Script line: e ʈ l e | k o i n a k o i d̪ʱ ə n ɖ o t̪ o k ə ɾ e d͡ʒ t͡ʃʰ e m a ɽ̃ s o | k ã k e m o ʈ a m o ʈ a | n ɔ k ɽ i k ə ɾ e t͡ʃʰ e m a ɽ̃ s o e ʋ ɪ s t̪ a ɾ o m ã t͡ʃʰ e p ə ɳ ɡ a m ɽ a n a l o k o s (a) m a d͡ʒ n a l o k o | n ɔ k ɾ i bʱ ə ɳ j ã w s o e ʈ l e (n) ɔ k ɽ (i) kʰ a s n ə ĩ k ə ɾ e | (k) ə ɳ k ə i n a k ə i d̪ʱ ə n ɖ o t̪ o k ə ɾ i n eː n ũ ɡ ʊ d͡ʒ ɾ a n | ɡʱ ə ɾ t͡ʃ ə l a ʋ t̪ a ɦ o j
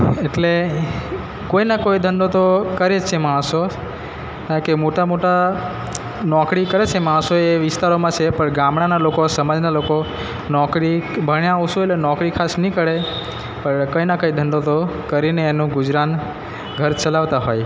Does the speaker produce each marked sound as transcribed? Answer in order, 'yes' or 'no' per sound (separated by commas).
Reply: no, yes, yes, no